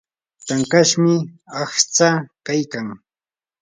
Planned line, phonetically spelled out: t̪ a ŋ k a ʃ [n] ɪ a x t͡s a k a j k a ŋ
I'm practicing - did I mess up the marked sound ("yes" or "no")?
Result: yes